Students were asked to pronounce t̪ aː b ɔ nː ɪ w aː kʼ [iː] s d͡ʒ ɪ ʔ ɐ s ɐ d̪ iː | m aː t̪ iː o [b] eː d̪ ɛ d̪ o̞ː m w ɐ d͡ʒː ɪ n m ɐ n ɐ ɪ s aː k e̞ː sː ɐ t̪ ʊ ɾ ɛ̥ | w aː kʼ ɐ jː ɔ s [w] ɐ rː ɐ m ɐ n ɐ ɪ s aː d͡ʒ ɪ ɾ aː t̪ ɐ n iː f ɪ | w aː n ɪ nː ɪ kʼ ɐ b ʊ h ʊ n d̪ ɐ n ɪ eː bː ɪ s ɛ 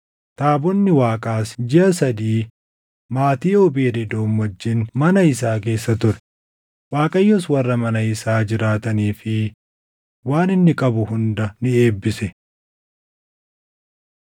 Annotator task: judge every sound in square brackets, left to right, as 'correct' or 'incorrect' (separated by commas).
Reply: incorrect, correct, correct